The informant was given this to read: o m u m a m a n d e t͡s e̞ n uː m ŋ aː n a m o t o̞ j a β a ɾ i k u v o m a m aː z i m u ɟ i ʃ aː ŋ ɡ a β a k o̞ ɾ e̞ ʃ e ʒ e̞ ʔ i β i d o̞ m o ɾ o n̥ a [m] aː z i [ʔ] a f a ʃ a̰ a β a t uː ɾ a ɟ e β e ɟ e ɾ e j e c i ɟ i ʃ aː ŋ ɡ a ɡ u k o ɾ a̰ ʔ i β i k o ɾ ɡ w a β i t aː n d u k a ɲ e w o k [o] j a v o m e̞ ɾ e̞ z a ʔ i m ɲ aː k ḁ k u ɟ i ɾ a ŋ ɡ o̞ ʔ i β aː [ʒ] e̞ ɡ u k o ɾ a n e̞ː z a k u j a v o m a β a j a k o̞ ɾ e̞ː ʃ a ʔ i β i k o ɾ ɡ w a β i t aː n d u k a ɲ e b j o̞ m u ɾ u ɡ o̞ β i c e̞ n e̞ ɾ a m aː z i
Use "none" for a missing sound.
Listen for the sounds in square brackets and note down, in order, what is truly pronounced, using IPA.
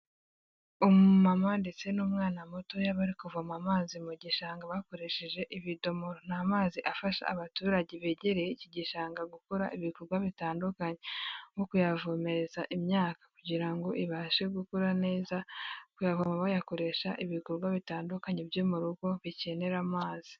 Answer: m, ʔ, u, ʃ

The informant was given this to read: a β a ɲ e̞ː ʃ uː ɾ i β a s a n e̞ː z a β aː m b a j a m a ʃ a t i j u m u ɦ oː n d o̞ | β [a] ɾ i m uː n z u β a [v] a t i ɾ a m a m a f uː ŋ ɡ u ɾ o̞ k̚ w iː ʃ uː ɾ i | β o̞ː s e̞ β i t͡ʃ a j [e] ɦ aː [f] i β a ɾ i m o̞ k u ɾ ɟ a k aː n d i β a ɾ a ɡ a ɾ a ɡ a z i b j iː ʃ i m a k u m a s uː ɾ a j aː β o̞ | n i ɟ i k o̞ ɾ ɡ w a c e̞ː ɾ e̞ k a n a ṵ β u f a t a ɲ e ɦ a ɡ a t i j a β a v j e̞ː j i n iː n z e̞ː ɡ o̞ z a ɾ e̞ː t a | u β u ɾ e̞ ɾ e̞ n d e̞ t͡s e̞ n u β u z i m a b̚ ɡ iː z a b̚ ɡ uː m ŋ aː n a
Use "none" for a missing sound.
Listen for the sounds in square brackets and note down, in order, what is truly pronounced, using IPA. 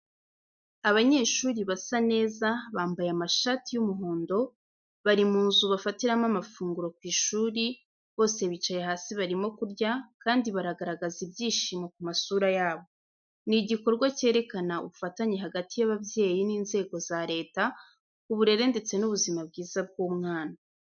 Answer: a, f, e, s

